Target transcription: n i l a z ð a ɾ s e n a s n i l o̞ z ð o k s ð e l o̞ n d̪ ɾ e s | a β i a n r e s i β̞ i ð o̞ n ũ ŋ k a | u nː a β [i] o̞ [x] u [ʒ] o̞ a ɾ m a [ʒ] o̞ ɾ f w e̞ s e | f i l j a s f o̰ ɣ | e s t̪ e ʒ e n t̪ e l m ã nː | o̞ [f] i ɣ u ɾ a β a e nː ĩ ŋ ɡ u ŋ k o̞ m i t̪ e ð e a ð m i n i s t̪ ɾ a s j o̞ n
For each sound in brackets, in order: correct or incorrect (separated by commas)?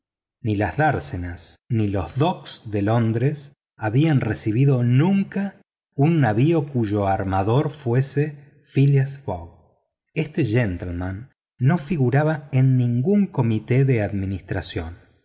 correct, incorrect, correct, incorrect, correct